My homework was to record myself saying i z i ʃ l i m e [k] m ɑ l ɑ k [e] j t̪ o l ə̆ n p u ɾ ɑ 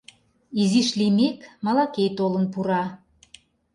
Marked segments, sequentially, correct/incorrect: correct, correct

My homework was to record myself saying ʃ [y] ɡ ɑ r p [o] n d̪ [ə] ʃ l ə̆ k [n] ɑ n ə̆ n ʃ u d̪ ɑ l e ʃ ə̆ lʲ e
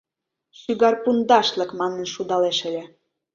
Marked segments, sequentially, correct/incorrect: correct, incorrect, incorrect, incorrect

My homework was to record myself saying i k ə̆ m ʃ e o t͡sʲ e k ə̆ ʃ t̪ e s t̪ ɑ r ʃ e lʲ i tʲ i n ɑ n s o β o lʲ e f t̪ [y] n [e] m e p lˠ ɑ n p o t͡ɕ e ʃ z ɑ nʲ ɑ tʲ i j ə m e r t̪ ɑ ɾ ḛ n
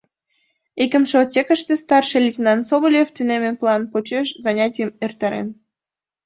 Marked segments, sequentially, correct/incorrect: correct, correct

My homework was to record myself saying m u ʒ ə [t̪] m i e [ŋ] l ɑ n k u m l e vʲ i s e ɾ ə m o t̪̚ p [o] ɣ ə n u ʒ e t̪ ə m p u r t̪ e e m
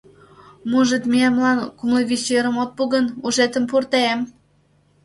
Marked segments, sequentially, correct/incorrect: correct, incorrect, incorrect

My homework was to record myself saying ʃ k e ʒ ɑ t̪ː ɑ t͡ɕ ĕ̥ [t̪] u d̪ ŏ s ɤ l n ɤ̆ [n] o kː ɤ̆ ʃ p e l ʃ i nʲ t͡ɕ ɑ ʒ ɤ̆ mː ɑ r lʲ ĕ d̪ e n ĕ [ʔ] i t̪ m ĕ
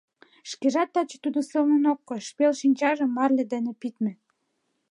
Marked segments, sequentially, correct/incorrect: correct, correct, incorrect

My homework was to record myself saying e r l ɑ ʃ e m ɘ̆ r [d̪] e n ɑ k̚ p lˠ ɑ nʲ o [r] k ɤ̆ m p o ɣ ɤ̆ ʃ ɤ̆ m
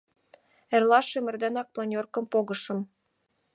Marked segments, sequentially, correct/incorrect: correct, correct

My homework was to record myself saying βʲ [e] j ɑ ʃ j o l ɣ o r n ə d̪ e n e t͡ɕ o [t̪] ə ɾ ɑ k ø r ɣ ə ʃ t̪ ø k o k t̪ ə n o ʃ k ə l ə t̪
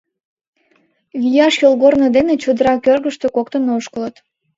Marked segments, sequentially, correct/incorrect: incorrect, incorrect

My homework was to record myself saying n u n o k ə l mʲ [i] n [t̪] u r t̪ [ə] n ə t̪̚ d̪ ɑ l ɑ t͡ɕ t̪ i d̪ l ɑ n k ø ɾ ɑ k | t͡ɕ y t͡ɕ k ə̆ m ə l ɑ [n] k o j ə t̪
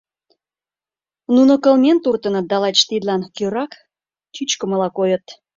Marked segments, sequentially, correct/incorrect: incorrect, correct, correct, incorrect

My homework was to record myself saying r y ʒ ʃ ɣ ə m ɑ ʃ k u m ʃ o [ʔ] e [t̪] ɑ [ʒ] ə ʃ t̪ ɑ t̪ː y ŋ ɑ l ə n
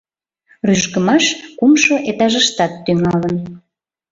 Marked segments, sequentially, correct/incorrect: correct, correct, correct

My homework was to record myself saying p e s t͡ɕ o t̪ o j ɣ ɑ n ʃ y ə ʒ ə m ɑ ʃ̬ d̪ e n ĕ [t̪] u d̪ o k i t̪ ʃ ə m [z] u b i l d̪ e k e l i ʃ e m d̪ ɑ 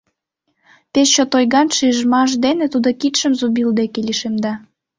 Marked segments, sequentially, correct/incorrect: correct, correct

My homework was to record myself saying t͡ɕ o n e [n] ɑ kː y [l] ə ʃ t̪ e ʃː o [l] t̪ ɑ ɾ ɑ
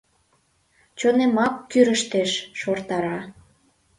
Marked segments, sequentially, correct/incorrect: incorrect, incorrect, incorrect

